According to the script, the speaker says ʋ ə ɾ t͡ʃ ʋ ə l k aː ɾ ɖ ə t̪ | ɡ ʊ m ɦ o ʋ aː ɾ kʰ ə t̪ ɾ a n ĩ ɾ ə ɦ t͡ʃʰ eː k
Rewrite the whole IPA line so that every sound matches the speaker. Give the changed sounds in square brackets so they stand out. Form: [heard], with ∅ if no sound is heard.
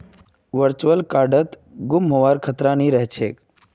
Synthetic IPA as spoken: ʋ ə ɾ t͡ʃ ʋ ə l k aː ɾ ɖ ə t̪ | ɡ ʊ m ɦ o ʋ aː ɾ kʰ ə t̪ ɾ a n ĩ ɾ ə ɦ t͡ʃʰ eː k